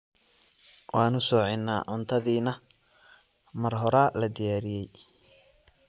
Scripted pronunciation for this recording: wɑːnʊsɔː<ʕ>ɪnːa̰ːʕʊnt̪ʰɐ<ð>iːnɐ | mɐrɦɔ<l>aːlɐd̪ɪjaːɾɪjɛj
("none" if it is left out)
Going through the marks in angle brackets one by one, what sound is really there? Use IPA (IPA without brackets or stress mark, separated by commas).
ʕ, ð, ɾ